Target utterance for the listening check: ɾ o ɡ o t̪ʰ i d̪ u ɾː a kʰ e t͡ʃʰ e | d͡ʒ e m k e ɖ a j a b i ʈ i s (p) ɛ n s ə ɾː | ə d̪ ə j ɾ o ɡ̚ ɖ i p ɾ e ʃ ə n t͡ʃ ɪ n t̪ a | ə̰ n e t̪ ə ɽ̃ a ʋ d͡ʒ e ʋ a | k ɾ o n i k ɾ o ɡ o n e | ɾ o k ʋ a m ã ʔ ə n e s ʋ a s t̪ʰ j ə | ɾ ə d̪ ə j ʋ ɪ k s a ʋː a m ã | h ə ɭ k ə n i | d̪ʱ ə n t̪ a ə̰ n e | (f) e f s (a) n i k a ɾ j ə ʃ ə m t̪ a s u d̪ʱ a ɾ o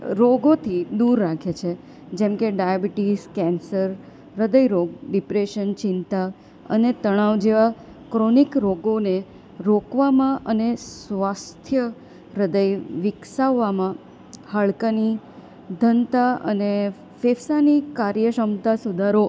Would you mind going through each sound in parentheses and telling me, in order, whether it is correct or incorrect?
incorrect: k, correct, correct

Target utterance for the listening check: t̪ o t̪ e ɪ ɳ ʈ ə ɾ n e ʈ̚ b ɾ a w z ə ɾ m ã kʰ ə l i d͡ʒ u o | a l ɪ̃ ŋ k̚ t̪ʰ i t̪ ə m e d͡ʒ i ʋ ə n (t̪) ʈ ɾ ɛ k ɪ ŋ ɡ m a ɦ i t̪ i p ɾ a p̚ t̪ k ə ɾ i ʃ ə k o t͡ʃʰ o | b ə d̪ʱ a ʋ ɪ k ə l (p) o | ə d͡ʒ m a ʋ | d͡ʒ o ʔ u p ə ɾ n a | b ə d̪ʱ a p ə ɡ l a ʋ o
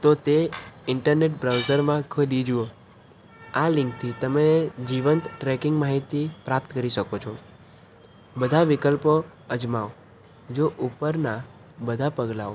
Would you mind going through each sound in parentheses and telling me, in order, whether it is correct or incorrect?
correct, correct

